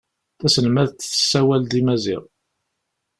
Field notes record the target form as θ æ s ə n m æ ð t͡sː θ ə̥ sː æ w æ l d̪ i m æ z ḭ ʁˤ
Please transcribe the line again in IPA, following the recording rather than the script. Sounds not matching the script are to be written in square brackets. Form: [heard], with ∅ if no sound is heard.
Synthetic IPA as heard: θ æ s ə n m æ ð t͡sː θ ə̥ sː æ w æ l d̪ i m æ z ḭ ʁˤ

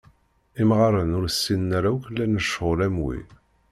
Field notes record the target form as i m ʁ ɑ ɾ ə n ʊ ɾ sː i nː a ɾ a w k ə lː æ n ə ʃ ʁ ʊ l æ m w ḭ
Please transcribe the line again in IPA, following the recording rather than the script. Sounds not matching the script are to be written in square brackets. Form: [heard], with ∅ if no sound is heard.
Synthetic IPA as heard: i m ʁ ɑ ɾ ə n ʊ ɾ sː i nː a ɾ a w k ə lː æ n ə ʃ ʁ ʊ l æ m w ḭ

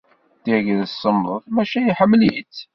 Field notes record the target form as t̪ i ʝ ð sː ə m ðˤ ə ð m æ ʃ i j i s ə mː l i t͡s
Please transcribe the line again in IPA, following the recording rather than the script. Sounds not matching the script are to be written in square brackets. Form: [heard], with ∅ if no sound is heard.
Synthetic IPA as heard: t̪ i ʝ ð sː ə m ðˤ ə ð m æ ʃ [æ] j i [ħ] ə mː l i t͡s

